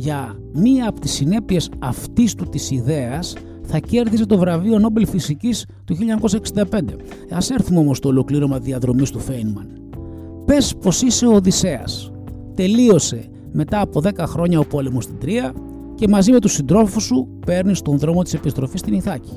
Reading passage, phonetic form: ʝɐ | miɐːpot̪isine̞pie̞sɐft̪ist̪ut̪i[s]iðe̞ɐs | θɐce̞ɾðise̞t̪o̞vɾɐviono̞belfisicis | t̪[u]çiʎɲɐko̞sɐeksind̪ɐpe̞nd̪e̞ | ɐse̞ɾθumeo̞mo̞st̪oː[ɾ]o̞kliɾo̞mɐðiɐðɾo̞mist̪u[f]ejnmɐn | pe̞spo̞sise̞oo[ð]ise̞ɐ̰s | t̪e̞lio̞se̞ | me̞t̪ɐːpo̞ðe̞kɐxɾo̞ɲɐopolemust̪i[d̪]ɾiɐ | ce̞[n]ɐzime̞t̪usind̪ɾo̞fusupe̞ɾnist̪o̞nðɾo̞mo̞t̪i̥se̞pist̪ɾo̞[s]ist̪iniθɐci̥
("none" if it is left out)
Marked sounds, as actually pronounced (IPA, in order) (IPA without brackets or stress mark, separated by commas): s, u, l, f, ð, d̪, m, f